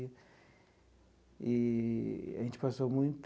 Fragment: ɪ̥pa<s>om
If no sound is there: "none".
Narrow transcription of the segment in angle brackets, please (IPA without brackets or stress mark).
s